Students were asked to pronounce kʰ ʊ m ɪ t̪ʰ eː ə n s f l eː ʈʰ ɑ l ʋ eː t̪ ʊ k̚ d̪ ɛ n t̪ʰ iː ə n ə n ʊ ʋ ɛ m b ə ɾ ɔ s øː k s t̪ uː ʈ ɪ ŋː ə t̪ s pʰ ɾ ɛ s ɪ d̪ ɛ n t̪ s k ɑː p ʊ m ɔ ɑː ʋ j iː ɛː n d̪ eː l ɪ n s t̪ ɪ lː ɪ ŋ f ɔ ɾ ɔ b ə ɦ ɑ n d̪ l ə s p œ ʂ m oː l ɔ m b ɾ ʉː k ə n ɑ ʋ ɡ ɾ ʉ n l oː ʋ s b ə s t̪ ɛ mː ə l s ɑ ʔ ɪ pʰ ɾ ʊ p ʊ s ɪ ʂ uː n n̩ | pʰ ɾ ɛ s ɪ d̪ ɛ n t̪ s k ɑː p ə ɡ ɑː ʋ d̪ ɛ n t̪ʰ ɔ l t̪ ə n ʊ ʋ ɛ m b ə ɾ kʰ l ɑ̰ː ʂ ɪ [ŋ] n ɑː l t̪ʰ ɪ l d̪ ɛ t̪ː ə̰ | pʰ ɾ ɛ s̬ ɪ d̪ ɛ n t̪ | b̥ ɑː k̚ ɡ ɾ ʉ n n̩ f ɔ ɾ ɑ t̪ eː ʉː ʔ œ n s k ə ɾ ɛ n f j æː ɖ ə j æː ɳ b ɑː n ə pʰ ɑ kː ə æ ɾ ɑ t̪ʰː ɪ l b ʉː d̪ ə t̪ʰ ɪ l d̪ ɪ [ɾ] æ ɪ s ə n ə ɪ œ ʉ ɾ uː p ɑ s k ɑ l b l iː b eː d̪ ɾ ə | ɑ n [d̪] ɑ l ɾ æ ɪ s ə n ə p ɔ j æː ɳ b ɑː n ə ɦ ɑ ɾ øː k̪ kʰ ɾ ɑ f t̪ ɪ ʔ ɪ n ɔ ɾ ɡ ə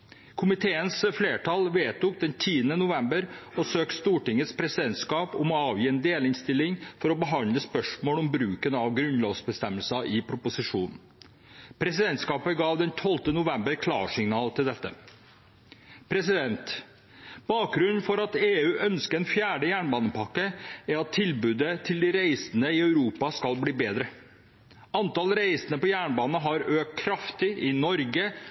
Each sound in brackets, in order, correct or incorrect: correct, correct, incorrect: t̪

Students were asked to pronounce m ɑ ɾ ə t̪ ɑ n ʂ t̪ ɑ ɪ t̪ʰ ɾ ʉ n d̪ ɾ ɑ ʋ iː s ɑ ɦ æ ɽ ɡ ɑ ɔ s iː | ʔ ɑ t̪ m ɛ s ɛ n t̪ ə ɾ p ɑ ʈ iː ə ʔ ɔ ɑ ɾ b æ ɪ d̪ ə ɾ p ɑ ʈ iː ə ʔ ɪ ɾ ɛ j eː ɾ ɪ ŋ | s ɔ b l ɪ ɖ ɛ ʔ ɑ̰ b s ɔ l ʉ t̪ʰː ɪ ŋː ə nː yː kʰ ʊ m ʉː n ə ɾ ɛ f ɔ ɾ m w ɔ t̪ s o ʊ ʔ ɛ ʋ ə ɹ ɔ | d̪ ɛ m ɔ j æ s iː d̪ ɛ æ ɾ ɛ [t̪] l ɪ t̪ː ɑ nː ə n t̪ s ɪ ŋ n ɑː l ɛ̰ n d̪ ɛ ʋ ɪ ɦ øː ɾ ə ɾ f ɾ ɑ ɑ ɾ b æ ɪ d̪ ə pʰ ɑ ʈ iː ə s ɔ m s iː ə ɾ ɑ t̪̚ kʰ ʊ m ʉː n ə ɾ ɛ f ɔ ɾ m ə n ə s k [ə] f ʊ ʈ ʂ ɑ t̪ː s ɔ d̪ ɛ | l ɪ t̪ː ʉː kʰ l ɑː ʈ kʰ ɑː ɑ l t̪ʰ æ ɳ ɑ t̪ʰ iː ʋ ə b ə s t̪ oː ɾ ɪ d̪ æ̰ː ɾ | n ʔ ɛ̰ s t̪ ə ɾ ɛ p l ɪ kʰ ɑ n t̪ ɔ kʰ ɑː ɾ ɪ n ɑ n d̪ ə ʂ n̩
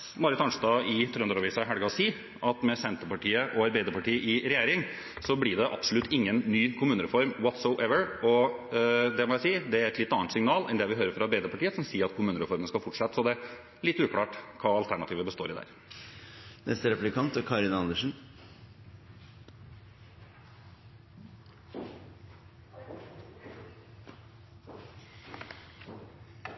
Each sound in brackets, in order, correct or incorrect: correct, incorrect: ɑ

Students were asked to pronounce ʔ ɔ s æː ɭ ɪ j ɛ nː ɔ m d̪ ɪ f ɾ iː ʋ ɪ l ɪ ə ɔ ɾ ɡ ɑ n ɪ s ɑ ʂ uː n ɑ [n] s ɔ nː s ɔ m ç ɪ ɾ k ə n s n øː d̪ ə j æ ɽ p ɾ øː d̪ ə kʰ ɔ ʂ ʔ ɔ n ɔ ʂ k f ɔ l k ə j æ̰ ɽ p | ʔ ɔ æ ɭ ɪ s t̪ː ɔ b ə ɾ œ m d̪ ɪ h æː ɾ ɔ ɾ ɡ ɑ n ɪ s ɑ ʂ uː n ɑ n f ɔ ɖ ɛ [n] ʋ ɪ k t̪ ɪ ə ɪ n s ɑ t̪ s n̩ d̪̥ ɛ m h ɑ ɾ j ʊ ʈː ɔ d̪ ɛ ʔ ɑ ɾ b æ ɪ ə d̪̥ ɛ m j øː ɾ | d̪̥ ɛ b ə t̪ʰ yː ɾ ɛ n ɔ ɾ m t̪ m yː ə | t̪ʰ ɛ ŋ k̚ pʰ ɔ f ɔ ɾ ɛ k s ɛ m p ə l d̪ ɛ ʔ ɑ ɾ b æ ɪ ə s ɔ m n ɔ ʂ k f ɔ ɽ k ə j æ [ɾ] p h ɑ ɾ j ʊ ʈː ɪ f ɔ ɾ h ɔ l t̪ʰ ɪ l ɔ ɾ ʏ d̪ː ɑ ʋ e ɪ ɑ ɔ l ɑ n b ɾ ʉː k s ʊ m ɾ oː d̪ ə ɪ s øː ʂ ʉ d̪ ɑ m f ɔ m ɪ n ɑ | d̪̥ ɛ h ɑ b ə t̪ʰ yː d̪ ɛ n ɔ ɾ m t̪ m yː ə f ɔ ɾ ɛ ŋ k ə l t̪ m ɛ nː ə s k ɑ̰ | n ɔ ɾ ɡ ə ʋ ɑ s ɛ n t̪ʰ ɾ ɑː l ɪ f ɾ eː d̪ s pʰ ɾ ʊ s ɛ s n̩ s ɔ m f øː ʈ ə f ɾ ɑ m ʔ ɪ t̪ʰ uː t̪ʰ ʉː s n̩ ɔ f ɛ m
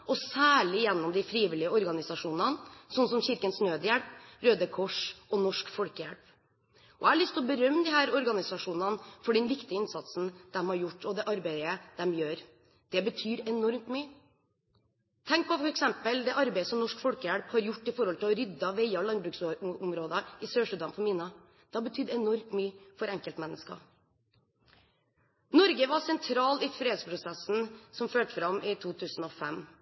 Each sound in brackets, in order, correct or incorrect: correct, correct, incorrect: ɽ

